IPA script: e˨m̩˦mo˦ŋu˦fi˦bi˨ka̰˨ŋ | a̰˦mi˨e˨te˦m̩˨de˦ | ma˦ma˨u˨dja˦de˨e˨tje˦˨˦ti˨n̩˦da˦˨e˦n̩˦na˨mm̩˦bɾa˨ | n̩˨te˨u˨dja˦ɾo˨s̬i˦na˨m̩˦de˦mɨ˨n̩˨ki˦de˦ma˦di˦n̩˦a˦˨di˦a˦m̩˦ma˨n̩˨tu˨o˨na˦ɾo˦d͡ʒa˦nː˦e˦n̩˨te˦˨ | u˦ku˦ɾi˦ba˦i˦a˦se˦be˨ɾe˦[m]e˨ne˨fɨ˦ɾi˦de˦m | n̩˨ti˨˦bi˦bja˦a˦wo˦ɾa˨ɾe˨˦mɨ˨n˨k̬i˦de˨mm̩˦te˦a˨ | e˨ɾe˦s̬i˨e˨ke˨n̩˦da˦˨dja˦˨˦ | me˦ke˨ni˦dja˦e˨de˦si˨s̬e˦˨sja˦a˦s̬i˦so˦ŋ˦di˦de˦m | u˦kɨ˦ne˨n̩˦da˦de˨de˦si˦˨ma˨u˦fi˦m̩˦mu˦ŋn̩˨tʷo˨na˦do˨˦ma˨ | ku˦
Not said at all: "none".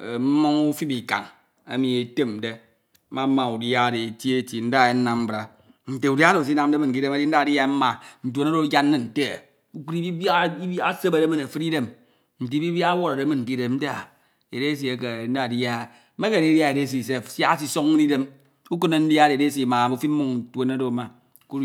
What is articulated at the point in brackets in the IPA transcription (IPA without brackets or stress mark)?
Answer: m